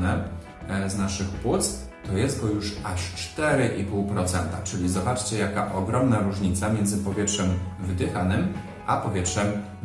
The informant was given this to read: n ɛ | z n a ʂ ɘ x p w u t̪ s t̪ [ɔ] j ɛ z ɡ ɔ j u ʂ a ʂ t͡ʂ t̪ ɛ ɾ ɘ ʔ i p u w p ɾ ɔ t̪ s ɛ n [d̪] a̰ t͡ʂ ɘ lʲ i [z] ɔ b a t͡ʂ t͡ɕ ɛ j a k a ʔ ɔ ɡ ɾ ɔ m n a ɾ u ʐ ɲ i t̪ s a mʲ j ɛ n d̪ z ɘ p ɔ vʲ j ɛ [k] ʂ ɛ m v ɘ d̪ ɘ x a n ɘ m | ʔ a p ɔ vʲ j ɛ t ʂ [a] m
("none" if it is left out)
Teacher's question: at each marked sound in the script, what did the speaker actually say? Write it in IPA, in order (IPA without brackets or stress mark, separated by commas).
ɔ, t̪, z, t, ɛ